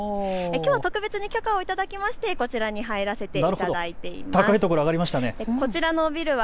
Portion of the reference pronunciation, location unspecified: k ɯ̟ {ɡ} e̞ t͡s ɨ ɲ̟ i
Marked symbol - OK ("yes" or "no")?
no